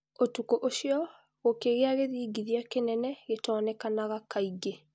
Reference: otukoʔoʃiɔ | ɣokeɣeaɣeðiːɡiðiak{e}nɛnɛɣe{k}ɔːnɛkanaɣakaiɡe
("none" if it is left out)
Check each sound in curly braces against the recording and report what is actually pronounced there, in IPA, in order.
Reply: e, t

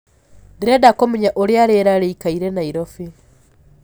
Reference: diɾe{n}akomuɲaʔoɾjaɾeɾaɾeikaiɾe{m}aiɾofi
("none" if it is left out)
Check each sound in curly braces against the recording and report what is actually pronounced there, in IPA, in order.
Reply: d, n

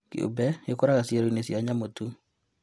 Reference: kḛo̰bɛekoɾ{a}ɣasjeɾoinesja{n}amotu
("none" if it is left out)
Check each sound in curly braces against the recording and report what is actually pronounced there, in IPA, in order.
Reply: a, ɲ

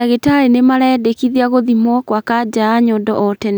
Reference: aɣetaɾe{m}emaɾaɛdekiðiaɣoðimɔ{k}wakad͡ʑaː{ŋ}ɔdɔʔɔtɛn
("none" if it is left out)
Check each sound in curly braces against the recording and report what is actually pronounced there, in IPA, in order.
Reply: n, k, ɲ

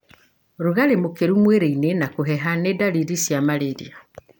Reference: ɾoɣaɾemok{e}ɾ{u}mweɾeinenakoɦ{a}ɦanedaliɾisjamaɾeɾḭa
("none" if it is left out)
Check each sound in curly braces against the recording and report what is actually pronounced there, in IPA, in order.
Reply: e, u, ɛ

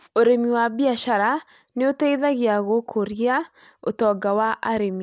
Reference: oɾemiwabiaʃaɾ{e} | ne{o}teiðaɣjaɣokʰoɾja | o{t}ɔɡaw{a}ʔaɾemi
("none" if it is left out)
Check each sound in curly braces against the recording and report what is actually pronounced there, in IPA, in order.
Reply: a, o, t, a

